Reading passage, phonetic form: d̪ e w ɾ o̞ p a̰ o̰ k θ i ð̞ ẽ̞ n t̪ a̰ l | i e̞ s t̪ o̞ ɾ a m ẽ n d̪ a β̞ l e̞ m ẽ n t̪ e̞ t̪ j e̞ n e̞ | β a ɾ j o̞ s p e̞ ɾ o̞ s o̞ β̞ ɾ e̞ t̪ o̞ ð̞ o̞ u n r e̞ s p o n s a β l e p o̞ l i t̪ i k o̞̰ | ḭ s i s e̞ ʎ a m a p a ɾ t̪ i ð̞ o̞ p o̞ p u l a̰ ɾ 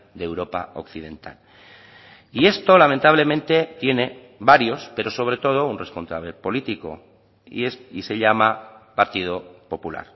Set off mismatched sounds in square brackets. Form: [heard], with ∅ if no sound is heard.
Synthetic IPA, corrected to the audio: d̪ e w ɾ o̞ p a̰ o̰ k θ i ð̞ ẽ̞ n t̪ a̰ l | i e̞ s t̪ o̞ [l] a m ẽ n [t̪] a β̞ l e̞ m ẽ n t̪ e̞ t̪ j e̞ n e̞ | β a ɾ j o̞ s p e̞ ɾ o̞ s o̞ β̞ ɾ e̞ t̪ o̞ ð̞ o̞ u n r e̞ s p o n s a β l e p o̞ l i t̪ i k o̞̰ | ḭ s i s e̞ ʎ a m a p a ɾ t̪ i ð̞ o̞ p o̞ p u l a̰ ɾ